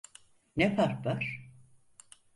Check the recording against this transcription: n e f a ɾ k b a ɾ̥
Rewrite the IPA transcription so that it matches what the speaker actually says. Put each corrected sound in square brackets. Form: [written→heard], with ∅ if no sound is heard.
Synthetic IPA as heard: n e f a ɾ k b a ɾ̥